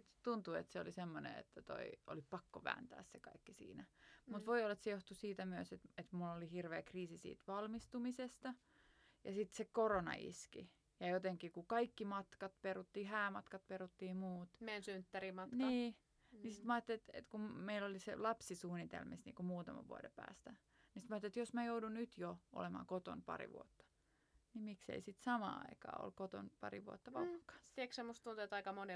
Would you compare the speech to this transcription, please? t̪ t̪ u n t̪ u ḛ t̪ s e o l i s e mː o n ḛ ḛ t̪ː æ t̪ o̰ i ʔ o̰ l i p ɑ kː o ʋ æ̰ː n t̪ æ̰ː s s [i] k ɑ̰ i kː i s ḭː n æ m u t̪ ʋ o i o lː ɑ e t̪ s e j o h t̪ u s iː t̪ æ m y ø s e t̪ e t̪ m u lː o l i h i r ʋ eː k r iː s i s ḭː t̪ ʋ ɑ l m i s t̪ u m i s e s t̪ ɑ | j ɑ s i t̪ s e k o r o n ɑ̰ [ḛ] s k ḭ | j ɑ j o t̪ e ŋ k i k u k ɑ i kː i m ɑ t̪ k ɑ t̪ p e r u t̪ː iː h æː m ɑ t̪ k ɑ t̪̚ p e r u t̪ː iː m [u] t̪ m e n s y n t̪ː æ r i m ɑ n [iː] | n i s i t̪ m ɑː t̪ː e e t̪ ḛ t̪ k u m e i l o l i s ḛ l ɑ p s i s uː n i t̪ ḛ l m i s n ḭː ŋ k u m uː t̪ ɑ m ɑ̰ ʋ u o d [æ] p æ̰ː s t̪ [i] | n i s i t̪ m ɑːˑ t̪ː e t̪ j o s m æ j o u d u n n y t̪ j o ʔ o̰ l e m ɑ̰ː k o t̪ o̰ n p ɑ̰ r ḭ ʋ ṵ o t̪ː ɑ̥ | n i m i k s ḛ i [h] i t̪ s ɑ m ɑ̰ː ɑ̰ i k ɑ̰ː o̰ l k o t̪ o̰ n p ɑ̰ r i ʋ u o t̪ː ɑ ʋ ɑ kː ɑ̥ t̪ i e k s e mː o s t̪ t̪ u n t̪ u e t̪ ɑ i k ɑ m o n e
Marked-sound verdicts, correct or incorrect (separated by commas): incorrect, incorrect, incorrect, correct, incorrect, incorrect, incorrect